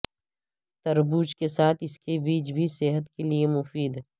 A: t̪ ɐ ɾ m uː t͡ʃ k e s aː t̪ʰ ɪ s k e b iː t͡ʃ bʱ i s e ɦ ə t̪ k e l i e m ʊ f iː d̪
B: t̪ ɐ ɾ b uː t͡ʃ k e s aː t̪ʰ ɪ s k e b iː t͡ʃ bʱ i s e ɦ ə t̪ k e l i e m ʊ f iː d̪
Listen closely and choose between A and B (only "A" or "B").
B